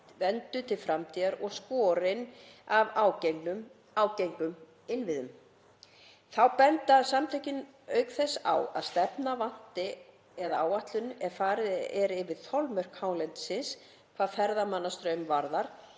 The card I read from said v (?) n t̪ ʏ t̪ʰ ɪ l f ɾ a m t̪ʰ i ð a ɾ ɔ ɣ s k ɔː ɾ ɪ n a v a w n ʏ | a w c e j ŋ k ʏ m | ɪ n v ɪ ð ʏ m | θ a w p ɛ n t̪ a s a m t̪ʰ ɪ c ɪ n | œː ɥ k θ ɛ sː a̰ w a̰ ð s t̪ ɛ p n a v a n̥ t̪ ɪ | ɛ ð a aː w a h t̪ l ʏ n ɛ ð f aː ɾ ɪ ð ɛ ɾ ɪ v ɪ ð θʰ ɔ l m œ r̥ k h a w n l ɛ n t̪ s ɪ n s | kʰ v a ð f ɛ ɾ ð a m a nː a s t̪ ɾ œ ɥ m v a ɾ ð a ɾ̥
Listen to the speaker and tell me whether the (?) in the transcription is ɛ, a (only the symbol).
ɛ